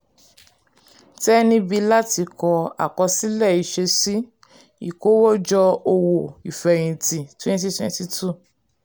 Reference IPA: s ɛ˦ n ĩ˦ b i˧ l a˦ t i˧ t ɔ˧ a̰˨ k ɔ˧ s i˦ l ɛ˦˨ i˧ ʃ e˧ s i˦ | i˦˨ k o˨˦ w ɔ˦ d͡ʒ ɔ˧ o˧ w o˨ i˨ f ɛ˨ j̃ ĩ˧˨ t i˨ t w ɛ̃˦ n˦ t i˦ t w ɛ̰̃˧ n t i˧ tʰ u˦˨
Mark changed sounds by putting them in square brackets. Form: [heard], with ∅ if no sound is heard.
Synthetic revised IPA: [t] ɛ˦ n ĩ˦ b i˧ l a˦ t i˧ [k] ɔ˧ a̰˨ k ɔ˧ s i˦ l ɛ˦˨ i˧ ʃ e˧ s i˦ | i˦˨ k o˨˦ w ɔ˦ d͡ʒ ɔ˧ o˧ w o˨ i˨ f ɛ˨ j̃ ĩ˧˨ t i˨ t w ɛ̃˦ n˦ t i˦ t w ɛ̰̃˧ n t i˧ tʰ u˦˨